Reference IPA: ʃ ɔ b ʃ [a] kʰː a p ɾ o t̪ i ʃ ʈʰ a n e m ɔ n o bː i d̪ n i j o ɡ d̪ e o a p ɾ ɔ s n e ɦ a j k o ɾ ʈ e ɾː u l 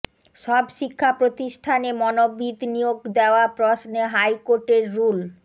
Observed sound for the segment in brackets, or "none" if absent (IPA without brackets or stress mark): i